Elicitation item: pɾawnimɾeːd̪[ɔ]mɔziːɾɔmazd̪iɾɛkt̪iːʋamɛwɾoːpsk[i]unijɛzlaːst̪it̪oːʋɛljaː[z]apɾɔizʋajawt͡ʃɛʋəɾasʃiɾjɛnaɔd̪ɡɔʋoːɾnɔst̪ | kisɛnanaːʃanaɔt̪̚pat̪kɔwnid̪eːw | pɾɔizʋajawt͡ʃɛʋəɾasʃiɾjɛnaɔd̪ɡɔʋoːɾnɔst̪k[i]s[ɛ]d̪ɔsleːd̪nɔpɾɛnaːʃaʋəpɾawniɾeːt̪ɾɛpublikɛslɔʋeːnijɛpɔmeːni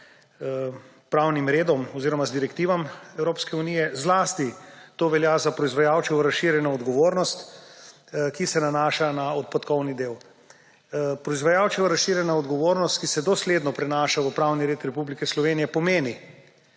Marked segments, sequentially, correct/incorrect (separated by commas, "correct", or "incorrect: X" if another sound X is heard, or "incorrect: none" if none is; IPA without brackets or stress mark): correct, incorrect: ɛ, correct, correct, correct